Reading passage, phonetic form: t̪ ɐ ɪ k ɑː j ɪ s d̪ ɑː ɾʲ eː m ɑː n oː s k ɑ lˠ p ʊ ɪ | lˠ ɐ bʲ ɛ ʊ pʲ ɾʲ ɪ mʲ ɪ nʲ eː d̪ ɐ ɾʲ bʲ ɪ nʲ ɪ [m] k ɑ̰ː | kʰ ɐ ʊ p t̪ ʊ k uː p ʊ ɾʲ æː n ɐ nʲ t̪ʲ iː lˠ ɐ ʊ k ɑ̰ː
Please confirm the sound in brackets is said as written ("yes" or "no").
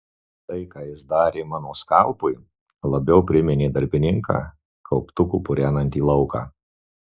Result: no